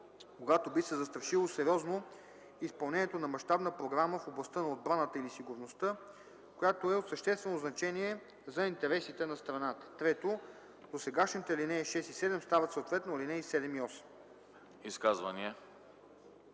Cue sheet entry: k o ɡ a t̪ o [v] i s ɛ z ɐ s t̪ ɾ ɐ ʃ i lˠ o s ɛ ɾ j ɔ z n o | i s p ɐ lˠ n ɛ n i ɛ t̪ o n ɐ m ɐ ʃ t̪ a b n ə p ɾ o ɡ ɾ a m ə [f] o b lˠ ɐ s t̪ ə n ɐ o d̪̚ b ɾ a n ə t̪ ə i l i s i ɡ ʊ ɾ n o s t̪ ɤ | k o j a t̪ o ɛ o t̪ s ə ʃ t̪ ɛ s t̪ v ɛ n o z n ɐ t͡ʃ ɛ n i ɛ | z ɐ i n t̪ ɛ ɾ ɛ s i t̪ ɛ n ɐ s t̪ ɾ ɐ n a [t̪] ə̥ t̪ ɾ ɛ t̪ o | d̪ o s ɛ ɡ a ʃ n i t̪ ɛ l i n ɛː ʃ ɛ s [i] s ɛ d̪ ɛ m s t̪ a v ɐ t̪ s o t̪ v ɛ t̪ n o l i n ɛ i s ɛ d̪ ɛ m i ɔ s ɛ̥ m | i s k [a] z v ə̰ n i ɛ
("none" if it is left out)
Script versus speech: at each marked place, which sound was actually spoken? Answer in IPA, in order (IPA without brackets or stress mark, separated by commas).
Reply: b, f, t̪, i, a